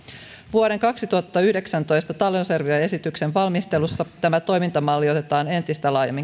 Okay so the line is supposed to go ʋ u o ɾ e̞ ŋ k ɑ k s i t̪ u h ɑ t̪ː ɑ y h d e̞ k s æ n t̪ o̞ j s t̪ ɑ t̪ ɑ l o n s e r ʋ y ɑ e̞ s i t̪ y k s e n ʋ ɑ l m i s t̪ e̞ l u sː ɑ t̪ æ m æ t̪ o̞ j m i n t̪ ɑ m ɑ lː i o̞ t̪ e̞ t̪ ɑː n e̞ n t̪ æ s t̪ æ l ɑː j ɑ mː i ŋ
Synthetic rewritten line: ʋ u o ɾ e̞ ŋ k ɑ k s i t̪ u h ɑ t̪ː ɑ y h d e̞ k s æ n t̪ o̞ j s t̪ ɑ t̪ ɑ l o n s e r ʋ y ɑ e̞ s i t̪ y k s e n ʋ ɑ l m i s t̪ e̞ l u sː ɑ t̪ æ m æ t̪ o̞ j m i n t̪ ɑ m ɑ lː i o̞ t̪ e̞ t̪ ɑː n e̞ n t̪ i s t̪ æ l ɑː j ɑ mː i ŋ